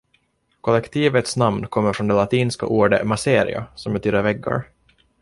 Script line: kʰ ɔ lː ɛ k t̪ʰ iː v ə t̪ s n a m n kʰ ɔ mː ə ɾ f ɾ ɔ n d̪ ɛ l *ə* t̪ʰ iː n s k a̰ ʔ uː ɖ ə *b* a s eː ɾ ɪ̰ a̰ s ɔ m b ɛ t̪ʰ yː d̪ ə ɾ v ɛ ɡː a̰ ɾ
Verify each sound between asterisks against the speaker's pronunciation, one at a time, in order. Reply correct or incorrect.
incorrect: a, incorrect: m

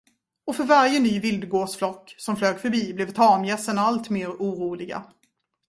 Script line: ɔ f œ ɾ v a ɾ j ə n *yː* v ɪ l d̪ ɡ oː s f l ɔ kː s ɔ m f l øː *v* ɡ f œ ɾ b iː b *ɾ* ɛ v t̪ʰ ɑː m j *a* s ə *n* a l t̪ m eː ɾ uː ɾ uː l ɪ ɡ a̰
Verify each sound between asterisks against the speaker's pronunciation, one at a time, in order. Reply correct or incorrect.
correct, incorrect: none, incorrect: l, incorrect: ɛ, correct

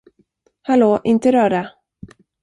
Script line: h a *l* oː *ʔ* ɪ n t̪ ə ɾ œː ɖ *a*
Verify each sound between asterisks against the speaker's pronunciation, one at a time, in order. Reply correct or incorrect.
correct, correct, correct

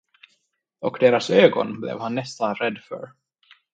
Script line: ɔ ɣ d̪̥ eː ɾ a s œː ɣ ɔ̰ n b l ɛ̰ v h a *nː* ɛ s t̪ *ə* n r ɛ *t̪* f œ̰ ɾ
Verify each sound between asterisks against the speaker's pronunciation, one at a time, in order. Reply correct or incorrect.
correct, incorrect: a, incorrect: d̪

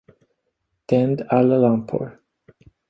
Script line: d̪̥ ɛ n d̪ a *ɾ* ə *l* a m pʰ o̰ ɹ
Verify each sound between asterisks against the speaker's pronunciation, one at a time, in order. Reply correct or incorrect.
incorrect: l, correct

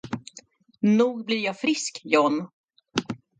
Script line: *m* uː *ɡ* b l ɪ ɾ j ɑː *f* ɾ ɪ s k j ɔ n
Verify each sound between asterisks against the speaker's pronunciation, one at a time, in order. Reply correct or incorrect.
incorrect: n, correct, correct

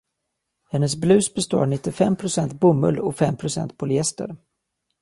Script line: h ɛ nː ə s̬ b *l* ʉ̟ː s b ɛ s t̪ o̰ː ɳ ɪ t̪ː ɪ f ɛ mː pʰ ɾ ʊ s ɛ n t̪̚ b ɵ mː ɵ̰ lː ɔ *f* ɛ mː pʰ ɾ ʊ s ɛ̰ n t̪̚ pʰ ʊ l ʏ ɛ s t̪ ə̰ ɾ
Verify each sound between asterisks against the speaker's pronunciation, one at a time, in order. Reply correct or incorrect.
correct, correct

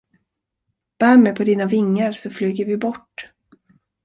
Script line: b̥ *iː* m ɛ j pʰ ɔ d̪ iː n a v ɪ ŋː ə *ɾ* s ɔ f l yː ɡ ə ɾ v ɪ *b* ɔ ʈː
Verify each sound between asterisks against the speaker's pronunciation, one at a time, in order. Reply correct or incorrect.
incorrect: æː, correct, correct

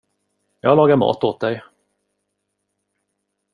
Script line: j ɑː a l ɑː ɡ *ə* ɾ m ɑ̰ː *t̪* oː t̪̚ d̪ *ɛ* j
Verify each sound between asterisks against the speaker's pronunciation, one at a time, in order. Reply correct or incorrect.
incorrect: a, correct, correct

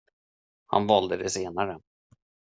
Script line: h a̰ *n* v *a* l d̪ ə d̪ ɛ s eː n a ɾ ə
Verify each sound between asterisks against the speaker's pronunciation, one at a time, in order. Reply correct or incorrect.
correct, incorrect: ɑ

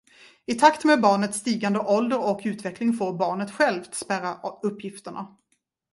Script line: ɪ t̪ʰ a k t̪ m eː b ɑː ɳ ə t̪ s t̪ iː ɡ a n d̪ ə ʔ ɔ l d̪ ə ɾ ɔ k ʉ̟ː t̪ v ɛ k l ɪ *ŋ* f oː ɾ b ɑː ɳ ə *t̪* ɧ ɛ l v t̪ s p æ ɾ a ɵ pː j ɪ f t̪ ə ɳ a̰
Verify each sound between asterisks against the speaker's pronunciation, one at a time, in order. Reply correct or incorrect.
correct, correct

